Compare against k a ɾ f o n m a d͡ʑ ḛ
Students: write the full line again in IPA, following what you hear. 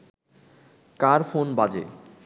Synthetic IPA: k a ɾ f o n b a d͡ʑ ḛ